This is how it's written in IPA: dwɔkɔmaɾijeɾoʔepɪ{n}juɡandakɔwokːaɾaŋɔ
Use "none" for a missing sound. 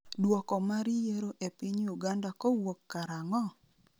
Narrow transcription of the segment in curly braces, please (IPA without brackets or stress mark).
ɲ